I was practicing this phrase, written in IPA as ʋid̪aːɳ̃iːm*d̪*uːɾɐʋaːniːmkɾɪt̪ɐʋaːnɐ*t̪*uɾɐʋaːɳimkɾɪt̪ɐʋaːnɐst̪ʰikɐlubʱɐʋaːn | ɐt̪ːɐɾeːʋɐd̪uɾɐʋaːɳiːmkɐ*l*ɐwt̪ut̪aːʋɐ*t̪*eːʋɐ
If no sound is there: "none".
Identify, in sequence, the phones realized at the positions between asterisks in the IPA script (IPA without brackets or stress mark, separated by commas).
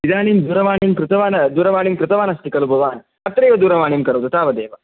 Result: d̪, d̪, ɾ, d̪